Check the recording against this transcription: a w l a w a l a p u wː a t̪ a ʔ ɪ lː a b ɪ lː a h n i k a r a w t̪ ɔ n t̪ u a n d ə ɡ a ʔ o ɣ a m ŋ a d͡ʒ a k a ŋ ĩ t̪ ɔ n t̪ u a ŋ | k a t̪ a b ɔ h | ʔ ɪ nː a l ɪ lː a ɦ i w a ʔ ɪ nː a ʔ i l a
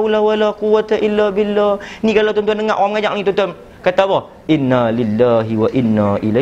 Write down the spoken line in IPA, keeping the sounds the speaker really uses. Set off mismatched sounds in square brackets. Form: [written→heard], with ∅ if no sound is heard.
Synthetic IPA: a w l a w a l a [p→q] u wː a t̪ a ʔ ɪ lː a b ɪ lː a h n i k a [r→l] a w t̪ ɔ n t̪ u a n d ə [ɡ→ŋ] a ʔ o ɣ a m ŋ a d͡ʒ a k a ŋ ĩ t̪ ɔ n t̪ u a [ŋ→n] | k a t̪ a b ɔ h | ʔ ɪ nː a l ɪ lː a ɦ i w a ʔ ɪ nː a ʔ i l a